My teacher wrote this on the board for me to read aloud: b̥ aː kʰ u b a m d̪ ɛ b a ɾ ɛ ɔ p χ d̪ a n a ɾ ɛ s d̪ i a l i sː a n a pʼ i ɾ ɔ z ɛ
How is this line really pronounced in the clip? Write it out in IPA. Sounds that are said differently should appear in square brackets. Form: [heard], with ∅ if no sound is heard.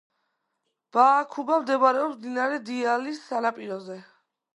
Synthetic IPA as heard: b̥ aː kʰ u b a m d̪ ɛ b a ɾ ɛ ɔ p [s] d̪ [i] n a ɾ ɛ [∅] d̪ i a l i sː a n a pʼ i ɾ ɔ z ɛ